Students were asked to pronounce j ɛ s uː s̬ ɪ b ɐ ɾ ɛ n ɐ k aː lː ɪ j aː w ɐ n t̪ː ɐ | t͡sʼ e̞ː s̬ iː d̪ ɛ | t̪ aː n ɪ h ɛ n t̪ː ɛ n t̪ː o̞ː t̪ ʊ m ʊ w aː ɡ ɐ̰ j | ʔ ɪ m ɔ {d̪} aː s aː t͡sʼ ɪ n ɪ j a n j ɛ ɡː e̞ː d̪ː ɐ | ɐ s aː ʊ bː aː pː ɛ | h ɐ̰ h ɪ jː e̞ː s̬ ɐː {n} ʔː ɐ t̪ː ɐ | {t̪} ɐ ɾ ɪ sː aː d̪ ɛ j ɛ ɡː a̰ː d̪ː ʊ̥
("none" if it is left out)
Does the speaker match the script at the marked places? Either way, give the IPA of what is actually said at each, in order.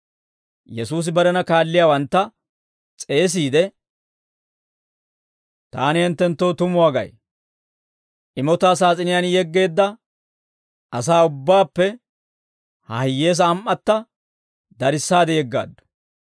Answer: t̪, m, d̪

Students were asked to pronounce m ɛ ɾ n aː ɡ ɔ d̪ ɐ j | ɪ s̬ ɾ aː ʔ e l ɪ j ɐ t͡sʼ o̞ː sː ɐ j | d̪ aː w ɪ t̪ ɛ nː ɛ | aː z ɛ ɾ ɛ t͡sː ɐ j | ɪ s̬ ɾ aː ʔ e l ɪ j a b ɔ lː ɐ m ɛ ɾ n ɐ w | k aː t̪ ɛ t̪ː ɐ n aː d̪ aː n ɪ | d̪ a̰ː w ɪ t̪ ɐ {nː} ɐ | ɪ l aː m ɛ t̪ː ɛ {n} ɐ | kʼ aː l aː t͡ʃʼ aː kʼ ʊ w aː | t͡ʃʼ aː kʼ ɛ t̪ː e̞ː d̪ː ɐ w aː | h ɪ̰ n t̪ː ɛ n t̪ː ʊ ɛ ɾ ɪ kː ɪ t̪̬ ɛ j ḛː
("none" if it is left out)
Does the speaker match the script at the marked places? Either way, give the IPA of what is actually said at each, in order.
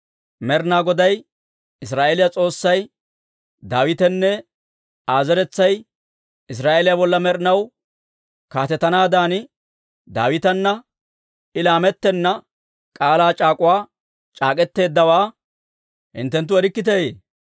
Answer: nː, nː

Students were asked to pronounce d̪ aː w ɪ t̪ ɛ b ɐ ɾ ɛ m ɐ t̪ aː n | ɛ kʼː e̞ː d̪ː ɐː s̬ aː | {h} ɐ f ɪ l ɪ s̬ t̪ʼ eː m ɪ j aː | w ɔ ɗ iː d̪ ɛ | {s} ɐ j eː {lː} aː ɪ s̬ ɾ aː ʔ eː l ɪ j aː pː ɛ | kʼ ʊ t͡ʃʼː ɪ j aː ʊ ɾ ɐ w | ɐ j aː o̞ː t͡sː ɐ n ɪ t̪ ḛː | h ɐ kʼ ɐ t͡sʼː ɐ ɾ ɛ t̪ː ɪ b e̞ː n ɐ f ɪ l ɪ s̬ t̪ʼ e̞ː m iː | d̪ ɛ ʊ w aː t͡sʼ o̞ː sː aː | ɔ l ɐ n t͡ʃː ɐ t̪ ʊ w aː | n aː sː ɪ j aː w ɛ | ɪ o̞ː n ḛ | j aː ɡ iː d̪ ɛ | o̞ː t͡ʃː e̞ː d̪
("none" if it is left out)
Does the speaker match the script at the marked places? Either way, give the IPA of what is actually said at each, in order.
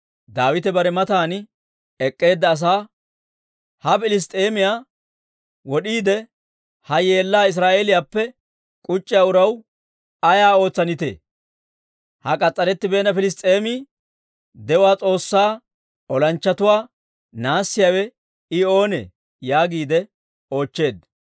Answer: h, h, lː

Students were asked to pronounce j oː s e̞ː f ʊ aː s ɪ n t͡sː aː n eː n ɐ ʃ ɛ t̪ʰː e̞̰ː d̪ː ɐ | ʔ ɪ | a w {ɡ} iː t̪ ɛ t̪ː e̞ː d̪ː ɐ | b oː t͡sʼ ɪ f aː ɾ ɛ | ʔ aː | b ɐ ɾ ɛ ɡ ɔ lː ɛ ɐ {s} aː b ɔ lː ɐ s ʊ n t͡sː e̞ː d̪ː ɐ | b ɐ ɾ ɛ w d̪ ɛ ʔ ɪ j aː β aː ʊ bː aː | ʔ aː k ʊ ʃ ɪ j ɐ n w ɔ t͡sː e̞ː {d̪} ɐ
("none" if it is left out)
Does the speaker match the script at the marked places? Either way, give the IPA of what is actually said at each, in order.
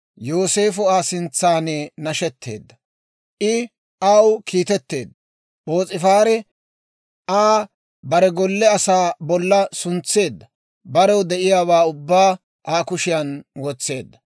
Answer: k, s, d̪ː

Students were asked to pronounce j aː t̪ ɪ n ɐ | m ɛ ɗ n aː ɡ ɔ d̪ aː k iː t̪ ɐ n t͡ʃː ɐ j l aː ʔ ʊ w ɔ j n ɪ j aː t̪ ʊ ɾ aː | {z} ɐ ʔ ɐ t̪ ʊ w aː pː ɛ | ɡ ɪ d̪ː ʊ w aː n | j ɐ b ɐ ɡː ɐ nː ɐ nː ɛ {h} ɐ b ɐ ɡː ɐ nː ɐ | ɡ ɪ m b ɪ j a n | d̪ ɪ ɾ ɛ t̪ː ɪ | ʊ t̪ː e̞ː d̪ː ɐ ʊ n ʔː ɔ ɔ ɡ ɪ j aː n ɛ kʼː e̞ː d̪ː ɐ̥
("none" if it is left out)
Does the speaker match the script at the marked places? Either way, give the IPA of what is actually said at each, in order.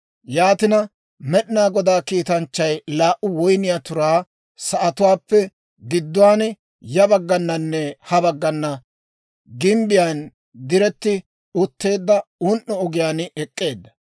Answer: s, h

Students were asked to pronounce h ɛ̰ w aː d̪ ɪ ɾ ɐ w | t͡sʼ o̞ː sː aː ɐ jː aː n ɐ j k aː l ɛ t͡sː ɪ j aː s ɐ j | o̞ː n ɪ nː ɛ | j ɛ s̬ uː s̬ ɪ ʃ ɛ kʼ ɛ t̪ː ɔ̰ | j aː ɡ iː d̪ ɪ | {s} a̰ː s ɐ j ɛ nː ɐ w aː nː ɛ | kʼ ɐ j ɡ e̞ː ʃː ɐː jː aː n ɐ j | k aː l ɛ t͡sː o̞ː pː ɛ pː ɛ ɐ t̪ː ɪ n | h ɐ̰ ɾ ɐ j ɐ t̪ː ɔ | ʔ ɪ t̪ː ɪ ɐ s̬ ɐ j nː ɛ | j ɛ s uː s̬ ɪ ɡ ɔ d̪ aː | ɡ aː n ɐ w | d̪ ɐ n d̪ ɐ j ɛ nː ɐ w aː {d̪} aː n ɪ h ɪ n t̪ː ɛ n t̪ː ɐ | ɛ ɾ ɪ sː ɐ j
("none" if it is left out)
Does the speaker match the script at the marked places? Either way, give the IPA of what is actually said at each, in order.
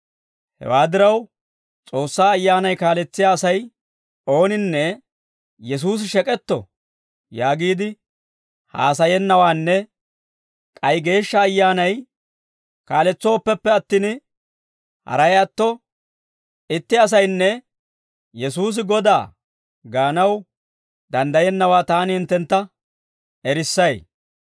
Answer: h, t̪

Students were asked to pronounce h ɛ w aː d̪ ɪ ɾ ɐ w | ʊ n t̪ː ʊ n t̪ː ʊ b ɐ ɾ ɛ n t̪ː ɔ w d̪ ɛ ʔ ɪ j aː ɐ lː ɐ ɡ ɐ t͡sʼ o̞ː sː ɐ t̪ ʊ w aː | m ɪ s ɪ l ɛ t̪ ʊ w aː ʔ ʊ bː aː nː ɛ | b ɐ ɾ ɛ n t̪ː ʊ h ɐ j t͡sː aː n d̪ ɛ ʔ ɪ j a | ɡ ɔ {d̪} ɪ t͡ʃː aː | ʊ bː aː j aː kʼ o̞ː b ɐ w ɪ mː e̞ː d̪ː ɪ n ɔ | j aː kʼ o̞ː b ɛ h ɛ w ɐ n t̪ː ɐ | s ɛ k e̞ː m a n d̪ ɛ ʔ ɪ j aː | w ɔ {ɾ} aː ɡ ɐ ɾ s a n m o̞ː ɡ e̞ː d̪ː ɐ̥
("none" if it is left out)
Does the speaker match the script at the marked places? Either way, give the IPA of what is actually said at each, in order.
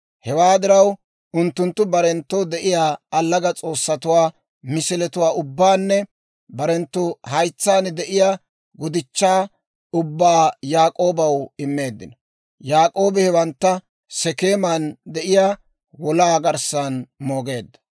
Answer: d̪, l

